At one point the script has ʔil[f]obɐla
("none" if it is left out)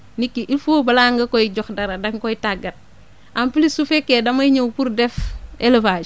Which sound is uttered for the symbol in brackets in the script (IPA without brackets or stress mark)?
f